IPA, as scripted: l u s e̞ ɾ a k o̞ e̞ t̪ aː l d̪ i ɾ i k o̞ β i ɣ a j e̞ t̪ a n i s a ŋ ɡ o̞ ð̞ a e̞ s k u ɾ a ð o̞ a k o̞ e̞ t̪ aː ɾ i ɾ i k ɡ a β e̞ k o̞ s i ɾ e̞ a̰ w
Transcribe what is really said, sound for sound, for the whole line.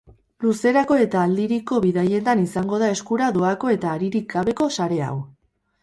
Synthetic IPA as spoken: l u s e̞ ɾ a k o̞ e̞ t̪ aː l d̪ i ɾ i k o̞ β i ð a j e̞ t̪ a n i s a ŋ ɡ o̞ ð̞ a e̞ s k u ɾ a ð o̞ a k o̞ e̞ t̪ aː ɾ i ɾ i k ɡ a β e̞ k o̞ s a ɾ e̞ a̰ w